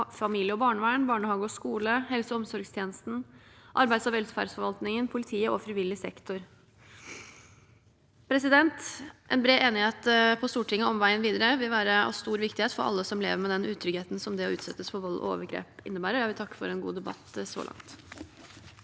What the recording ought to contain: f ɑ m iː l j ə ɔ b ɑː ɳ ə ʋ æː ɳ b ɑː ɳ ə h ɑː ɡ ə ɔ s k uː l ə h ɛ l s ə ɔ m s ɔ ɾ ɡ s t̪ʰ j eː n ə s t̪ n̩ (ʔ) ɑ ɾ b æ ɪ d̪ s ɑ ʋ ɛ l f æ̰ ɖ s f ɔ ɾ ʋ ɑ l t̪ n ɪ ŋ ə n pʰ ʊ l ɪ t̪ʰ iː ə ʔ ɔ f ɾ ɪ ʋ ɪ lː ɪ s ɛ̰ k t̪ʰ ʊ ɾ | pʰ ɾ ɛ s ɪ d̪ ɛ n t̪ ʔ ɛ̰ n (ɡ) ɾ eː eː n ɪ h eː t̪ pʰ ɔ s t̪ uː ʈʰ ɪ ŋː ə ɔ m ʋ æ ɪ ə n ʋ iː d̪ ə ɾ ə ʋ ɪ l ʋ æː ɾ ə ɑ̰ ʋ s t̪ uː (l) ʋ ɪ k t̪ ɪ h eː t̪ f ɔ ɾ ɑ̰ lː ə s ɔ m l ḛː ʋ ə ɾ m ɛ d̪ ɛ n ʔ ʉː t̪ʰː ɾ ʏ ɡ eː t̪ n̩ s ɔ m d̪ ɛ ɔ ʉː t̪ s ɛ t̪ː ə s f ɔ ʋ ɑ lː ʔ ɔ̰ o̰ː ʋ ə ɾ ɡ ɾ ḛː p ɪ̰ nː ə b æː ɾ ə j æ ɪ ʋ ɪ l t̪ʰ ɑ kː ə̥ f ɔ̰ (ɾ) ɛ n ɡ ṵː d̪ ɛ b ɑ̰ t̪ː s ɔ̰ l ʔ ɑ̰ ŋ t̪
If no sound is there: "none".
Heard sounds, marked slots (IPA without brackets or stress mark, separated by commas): ʔ, b, ɾ, ɾ